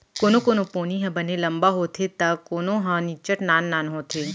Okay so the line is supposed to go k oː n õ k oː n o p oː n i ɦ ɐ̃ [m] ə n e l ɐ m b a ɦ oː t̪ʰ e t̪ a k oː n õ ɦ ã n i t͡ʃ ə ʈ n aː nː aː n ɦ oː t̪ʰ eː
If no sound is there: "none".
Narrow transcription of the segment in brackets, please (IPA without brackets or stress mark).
b